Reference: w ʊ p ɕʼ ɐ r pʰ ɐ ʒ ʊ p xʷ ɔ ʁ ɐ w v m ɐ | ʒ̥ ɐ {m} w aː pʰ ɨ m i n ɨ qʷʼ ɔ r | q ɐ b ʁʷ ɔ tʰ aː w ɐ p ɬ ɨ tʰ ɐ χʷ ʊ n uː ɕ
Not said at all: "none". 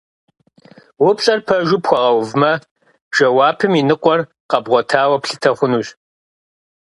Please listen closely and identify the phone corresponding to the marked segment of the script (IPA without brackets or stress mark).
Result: none